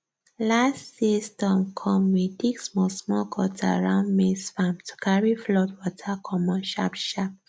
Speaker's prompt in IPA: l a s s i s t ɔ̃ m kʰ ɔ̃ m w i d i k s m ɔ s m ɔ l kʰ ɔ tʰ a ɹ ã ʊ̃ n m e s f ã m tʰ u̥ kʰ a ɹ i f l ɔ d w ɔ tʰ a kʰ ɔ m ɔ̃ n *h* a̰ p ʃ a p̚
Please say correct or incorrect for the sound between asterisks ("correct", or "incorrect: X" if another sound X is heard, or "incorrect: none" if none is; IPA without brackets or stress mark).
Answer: incorrect: ʃ